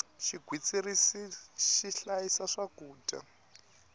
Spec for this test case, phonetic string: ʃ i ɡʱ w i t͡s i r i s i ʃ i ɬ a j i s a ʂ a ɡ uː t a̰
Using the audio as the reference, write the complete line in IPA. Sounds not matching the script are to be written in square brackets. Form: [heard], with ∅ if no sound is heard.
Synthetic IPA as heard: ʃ i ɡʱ w i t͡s i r i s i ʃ i ɬ a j i s a ʂ a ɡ uː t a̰